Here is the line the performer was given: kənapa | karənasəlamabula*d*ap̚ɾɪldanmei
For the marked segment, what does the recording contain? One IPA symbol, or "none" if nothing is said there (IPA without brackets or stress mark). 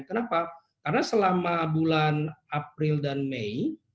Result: n